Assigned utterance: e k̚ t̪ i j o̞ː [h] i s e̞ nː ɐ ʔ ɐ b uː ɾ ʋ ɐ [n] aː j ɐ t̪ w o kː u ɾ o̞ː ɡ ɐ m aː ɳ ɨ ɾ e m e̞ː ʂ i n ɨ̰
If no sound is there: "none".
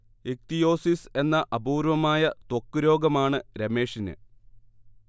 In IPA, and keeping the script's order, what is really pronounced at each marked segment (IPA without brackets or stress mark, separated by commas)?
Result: s, m